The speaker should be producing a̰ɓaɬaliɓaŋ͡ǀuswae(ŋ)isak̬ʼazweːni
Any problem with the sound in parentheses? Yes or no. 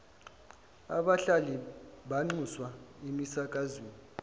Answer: yes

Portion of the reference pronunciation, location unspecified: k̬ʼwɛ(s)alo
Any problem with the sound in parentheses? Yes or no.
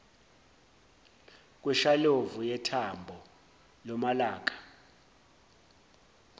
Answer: yes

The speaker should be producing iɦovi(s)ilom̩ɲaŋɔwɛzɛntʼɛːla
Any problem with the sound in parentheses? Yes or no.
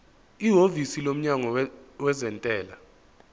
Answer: no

